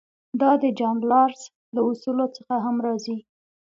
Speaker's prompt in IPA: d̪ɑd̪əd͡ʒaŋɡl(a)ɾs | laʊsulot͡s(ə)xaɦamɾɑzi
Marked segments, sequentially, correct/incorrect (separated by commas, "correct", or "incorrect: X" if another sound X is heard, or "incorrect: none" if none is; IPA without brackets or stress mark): incorrect: ɑ, correct